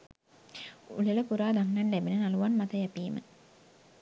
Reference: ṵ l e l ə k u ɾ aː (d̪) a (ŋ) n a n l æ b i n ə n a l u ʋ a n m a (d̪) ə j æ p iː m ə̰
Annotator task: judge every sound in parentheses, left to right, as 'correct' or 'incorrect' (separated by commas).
correct, correct, incorrect